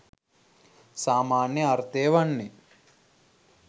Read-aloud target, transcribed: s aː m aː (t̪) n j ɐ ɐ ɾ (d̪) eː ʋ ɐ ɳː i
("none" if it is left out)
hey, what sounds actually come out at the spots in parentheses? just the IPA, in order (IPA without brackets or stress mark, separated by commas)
none, t̪